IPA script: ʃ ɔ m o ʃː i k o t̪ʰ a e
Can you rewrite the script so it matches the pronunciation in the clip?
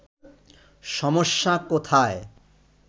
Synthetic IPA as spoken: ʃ ɔ m o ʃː a k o t̪ʰ a e